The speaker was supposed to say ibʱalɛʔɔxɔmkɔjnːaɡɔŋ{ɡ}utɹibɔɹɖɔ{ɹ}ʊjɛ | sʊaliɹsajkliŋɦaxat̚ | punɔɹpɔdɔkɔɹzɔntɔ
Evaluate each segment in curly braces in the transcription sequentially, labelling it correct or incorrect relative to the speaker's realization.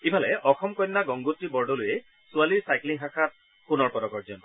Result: correct, incorrect

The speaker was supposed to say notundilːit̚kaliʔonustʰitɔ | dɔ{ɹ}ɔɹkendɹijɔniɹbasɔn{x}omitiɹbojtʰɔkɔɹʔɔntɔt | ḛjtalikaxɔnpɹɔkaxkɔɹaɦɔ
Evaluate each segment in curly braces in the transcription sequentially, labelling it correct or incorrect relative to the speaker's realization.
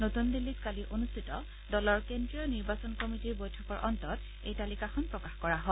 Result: incorrect, incorrect

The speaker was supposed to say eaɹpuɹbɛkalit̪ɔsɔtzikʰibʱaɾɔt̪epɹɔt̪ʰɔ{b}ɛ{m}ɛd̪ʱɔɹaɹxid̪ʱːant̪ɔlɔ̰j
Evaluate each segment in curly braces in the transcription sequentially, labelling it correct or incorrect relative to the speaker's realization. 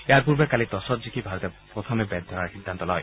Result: incorrect, incorrect

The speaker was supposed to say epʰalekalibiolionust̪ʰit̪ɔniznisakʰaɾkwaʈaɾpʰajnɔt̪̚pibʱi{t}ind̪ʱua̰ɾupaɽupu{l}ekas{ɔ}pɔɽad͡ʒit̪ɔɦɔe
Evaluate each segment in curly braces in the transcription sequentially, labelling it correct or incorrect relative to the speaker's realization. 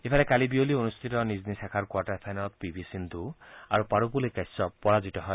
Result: incorrect, correct, correct

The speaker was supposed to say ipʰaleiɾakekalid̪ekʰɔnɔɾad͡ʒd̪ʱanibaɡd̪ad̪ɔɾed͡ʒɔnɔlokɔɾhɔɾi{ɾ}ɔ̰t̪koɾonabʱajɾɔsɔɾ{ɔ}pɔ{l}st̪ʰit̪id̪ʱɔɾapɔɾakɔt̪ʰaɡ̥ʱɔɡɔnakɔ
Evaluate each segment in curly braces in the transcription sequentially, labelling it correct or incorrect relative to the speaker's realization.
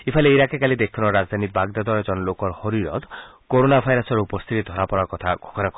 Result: correct, incorrect, incorrect

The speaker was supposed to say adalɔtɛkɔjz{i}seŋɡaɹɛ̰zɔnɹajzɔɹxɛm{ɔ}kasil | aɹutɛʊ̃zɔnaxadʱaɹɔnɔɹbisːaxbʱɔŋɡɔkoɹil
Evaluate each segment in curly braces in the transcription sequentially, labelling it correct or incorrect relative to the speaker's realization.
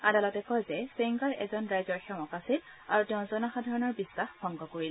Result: incorrect, correct

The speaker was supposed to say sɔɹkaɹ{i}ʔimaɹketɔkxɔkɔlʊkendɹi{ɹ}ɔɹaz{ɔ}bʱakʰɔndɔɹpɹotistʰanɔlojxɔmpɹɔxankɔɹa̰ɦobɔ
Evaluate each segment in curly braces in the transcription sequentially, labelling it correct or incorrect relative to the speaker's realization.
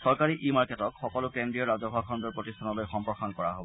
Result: correct, incorrect, correct

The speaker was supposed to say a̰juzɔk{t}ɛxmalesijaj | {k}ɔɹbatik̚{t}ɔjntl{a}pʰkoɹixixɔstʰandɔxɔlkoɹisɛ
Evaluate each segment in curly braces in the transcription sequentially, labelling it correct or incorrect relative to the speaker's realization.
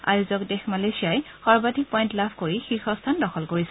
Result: incorrect, incorrect, incorrect, correct

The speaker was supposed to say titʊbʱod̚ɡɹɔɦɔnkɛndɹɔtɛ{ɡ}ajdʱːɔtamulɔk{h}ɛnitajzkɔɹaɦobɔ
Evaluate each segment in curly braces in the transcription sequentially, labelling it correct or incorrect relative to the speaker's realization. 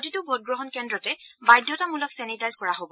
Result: incorrect, incorrect

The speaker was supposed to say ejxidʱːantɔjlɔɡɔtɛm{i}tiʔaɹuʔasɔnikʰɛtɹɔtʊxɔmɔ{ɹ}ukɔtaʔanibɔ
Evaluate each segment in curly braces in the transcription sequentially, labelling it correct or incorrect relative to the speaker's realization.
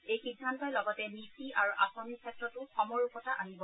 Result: correct, correct

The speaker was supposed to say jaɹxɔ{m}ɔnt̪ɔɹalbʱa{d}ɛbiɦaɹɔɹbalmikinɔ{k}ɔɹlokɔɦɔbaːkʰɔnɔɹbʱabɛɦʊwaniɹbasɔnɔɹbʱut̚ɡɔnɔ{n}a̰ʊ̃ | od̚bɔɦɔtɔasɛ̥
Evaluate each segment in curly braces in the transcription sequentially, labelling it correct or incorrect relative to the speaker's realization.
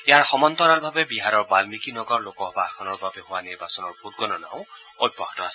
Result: correct, incorrect, incorrect, correct

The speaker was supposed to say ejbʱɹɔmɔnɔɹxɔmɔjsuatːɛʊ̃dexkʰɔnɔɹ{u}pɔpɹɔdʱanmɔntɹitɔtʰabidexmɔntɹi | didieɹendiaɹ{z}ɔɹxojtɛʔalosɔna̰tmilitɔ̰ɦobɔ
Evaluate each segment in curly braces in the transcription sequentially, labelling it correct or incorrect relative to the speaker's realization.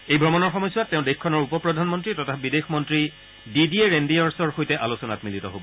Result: correct, incorrect

